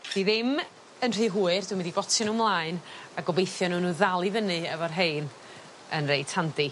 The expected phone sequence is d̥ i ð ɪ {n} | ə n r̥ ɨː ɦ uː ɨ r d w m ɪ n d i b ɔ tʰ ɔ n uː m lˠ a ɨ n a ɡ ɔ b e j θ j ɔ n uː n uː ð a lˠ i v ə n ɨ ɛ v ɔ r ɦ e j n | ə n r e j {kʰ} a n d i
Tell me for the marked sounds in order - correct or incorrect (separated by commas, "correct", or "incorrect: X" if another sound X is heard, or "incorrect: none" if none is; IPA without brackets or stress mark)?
incorrect: m, incorrect: tʰ